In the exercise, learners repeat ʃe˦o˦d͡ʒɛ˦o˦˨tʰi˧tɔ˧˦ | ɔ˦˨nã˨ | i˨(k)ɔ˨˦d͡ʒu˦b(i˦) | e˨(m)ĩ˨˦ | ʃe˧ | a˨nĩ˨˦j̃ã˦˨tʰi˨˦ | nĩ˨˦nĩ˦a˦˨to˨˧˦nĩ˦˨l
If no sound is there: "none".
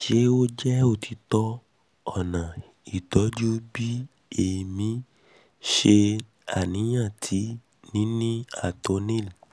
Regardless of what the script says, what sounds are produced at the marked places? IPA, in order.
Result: t, i˦, m

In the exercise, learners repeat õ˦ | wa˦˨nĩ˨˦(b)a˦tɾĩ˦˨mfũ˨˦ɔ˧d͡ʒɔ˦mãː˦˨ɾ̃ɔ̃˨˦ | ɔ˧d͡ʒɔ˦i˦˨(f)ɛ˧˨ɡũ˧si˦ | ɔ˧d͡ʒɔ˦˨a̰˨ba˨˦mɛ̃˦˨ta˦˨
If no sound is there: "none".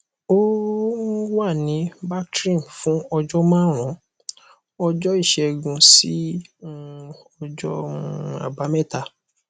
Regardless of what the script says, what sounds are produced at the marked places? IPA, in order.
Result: b, ʃ

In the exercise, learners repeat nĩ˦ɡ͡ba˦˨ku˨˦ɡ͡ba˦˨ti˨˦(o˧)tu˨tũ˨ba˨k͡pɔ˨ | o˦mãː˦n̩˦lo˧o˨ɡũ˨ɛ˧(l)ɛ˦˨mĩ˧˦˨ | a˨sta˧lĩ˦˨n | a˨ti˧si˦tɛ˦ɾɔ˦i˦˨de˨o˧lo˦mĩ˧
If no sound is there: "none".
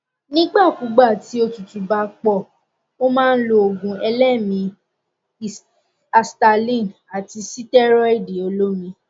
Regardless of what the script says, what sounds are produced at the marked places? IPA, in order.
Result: o˧, l

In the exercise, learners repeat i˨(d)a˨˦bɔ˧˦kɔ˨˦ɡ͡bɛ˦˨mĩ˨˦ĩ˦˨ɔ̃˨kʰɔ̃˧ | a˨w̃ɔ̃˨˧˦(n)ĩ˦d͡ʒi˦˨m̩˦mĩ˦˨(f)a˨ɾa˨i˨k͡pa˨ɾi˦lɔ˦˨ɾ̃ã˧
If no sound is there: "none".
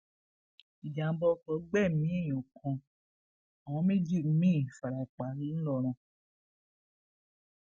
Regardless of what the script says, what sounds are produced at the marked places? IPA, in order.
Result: d͡ʒ, m, f

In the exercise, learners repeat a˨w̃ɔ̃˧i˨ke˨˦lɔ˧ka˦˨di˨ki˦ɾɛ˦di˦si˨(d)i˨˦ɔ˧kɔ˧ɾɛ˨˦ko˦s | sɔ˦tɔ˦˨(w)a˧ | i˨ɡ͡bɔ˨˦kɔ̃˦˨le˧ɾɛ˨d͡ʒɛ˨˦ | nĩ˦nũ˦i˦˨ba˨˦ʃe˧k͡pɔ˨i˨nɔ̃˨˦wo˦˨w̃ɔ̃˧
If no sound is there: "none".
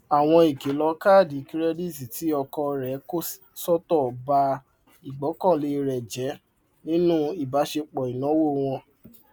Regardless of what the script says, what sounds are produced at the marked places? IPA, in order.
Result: t, b

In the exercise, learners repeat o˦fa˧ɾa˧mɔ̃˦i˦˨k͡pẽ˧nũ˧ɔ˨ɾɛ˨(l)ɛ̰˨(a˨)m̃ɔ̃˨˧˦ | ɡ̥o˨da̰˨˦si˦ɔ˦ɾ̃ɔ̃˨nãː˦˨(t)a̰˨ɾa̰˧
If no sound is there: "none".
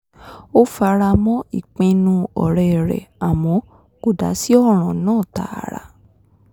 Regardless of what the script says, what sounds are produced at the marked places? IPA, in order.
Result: ɾ, a˨, t

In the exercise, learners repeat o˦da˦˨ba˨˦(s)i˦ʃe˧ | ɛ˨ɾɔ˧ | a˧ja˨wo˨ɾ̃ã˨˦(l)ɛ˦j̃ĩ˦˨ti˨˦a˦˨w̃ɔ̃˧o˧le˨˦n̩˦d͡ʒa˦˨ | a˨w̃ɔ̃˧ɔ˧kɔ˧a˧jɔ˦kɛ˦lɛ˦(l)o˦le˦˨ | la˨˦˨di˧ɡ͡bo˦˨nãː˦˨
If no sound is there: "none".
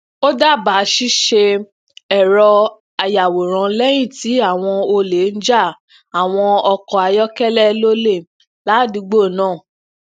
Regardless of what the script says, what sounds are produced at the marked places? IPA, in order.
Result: ʃ, l, l

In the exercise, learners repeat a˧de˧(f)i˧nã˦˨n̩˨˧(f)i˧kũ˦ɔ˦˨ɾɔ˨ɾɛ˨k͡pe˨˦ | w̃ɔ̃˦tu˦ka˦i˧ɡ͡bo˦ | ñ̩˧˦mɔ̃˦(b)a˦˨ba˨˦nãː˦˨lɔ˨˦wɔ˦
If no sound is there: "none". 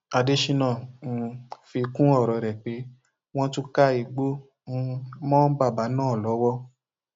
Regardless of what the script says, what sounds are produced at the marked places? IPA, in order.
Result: ʃ, f, b

